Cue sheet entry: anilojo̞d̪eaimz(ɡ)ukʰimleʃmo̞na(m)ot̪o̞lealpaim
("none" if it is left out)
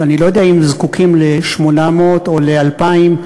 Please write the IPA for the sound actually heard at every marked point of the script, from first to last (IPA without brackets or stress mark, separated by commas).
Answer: k, m